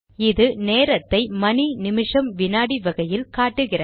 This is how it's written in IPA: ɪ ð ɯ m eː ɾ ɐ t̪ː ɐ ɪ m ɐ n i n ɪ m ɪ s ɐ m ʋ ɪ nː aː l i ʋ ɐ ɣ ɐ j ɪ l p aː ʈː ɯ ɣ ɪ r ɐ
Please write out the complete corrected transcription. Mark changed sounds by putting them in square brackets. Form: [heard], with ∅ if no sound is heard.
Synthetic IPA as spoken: ɪ ð ɯ [n] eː ɾ ɐ t̪ː ɐ ɪ m ɐ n i n ɪ m ɪ [ʂ] ɐ m ʋ ɪ [n] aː [ɽ] i ʋ ɐ ɣ ɐ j ɪ l [k] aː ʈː ɯ ɣ ɪ r ɐ